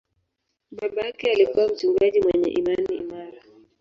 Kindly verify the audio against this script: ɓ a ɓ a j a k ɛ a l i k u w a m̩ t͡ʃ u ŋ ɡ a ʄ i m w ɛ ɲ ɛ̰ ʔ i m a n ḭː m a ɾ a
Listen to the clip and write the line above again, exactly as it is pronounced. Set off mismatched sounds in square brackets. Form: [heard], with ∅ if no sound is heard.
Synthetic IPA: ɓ a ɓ a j a k ɛ a l i k u w a m̩ t͡ʃ u ŋ ɡ a ʄ i m w ɛ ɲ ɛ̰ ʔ i m a n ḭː m a ɾ a